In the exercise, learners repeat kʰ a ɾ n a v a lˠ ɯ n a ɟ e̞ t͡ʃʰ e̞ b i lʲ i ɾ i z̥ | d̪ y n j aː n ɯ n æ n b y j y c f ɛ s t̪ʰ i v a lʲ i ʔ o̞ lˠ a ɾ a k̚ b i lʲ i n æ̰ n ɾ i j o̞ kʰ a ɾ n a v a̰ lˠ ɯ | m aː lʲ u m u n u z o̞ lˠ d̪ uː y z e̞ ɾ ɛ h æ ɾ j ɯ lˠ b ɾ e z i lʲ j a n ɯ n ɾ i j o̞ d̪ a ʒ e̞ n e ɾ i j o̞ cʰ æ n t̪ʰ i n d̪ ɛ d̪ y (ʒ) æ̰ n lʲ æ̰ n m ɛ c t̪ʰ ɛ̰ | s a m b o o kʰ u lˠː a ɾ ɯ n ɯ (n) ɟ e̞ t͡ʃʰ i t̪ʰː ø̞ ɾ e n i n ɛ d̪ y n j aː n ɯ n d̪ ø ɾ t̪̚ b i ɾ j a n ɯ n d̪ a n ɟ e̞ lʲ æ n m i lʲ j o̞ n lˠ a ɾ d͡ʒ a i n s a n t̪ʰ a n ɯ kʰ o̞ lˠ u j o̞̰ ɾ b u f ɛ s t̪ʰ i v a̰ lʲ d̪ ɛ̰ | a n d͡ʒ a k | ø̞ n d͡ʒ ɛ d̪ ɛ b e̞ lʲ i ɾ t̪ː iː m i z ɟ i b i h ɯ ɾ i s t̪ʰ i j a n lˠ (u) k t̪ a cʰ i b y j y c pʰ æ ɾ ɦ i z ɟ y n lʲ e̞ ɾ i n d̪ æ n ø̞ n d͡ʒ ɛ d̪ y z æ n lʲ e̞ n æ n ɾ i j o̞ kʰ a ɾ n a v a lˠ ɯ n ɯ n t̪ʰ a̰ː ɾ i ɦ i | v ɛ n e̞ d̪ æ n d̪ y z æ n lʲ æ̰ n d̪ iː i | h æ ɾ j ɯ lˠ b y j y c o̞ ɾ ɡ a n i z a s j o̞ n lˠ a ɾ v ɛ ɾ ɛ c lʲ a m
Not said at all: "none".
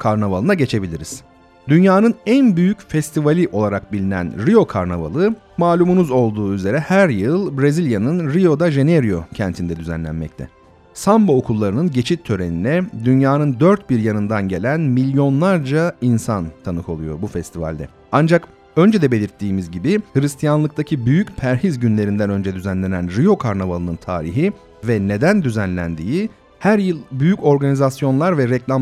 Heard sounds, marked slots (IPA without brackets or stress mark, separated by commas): z, n, ɯ